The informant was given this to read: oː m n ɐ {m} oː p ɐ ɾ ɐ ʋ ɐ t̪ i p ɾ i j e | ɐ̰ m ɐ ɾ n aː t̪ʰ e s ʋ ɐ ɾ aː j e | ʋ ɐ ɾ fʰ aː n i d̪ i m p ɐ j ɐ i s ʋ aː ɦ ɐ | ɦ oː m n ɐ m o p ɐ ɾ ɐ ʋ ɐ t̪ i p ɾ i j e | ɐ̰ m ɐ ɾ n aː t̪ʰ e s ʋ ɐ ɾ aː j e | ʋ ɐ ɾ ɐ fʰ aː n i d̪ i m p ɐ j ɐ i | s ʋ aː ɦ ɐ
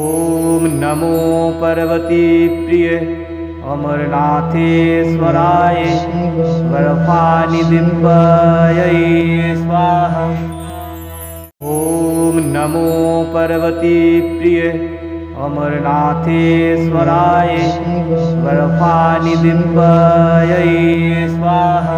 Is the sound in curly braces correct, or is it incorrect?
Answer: correct